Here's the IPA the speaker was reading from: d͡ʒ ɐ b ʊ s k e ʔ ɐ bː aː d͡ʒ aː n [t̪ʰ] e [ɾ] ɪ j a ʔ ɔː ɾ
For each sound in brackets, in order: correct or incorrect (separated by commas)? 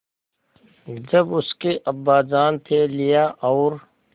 correct, incorrect